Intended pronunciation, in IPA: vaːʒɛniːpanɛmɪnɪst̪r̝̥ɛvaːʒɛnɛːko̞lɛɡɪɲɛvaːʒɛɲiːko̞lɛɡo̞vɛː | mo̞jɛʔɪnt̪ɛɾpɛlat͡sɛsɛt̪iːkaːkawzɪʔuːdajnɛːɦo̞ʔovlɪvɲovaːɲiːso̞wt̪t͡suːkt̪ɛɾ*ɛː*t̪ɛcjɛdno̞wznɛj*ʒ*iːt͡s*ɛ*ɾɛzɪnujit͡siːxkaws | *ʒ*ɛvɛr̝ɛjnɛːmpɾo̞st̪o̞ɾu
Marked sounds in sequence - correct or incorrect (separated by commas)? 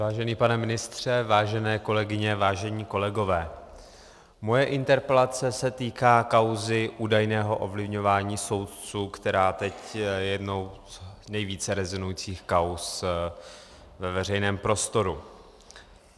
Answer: incorrect, incorrect, correct, incorrect